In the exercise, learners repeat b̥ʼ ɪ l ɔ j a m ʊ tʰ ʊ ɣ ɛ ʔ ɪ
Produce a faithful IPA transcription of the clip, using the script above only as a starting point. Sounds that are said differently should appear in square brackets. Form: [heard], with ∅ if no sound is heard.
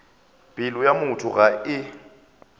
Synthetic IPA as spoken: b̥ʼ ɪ l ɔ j a m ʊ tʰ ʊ ɣ [a] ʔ ɪ

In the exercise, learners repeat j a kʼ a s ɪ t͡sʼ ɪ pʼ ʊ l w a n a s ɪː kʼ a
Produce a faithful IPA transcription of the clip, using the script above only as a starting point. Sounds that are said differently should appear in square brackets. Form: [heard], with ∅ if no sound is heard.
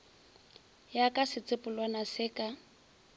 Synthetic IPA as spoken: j a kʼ a s ɪ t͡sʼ ɪ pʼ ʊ l w a n a s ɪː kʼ a

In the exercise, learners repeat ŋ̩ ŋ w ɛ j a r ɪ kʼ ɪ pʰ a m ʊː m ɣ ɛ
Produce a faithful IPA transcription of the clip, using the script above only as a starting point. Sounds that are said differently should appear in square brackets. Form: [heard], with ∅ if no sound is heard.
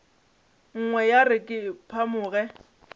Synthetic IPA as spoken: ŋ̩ ŋ w ɛ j a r ɪ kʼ ɪ pʰ a m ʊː [∅] ɣ ɛ

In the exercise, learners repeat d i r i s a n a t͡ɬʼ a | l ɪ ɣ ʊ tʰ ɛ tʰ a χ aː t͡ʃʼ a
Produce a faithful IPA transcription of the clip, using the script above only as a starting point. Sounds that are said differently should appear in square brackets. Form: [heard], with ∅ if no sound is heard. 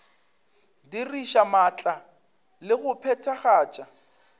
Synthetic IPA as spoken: d i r i [ʃ] a [m] a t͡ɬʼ a | l ɪ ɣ ʊ [pʰ] ɛ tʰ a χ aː t͡ʃʼ a

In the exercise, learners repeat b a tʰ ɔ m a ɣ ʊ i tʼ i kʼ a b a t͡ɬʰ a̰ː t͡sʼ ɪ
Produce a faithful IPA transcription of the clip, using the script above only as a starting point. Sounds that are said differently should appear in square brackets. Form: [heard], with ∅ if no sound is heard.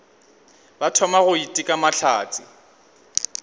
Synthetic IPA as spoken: b a tʰ ɔ m a ɣ ʊ i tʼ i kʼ a [m] a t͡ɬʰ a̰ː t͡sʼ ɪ

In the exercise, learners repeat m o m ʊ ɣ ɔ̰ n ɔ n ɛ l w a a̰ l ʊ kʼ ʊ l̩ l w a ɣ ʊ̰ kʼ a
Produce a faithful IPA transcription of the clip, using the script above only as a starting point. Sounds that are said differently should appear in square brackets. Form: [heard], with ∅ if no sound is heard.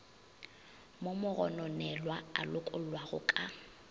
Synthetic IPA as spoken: m o m ʊ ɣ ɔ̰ n ɔ n ɛ l w a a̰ l ʊ kʼ ʊ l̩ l w a ɣ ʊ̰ kʼ a

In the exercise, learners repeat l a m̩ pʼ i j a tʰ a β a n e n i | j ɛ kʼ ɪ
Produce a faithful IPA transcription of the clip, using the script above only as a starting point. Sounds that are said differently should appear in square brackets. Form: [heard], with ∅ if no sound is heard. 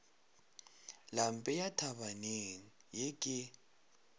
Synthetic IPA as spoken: l a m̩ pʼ [ɛ] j a tʰ a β a n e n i | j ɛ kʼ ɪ

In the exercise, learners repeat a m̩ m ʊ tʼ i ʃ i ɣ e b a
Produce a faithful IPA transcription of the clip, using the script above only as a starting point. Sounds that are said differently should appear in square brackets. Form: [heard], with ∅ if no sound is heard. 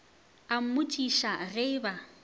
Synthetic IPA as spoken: a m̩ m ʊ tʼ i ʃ [a] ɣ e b a

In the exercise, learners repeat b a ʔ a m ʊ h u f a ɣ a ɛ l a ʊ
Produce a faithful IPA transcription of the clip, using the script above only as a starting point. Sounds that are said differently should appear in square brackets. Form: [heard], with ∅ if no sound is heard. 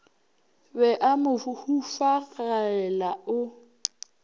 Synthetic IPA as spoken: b [ɛ] ʔ a m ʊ h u f a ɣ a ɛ l a ʊ

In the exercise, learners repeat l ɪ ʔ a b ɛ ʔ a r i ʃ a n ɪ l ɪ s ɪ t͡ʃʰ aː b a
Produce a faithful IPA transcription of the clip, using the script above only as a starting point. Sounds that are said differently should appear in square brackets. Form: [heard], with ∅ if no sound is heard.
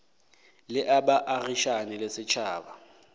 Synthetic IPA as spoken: l ɪ ʔ a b [a] ʔ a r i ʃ a n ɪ l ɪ s ɪ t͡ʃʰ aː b a

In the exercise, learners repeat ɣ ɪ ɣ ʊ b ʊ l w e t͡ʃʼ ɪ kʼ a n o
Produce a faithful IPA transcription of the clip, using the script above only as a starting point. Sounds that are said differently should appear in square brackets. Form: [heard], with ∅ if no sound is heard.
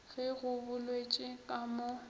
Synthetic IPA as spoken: ɣ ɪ ɣ ʊ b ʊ l w e t͡ʃʼ ɪ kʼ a [m] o

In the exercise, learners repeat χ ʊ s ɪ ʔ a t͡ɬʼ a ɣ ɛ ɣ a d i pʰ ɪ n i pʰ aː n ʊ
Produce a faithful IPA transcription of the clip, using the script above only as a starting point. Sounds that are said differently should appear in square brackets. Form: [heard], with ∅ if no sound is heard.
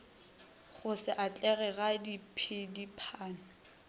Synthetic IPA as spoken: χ ʊ s ɪ ʔ a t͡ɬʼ [ɛ] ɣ ɛ ɣ a d i pʰ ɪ [d] i pʰ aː n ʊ

